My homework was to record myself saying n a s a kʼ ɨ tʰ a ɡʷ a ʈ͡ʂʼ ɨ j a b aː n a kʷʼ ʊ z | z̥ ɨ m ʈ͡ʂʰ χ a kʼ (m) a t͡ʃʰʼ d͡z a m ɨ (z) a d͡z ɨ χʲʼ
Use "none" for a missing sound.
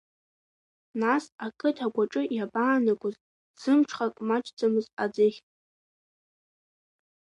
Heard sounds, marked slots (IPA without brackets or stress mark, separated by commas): m, z